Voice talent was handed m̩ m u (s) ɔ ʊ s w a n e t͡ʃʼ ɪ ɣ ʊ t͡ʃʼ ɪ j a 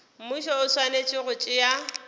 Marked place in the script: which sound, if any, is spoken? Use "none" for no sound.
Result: ʃ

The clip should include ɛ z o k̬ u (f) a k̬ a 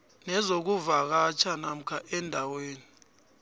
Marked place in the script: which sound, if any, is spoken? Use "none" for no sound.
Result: v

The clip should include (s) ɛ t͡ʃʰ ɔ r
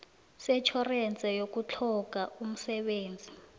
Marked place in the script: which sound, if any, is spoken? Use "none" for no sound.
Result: s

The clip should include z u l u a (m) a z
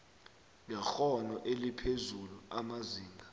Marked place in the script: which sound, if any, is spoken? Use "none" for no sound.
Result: m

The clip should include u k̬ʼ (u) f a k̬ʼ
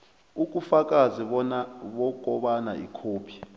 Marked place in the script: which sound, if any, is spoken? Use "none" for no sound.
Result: u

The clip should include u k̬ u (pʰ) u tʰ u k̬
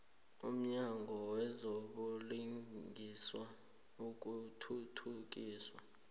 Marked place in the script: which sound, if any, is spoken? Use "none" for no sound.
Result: tʰ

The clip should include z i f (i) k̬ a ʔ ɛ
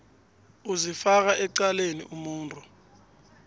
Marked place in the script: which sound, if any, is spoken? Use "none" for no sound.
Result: a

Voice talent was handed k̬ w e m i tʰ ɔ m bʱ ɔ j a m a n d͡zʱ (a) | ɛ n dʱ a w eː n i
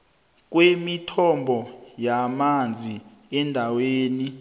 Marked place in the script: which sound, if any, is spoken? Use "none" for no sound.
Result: i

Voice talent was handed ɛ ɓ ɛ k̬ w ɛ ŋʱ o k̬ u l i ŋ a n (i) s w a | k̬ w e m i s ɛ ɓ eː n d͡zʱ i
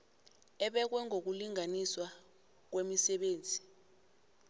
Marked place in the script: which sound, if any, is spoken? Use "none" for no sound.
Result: i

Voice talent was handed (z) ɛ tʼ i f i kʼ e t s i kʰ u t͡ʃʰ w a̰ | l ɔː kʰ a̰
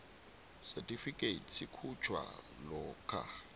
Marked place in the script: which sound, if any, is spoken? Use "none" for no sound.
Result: s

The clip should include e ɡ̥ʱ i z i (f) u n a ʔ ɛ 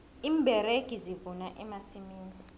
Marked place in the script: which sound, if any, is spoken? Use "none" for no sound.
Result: v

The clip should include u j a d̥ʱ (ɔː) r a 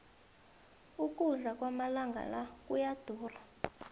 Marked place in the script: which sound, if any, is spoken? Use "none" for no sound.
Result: uː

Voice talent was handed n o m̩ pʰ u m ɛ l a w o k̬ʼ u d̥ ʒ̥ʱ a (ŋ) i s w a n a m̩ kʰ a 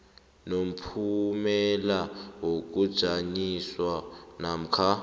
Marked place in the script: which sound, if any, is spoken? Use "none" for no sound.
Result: ɲ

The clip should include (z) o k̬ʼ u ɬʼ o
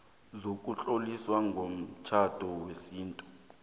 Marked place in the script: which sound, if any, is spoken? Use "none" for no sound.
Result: z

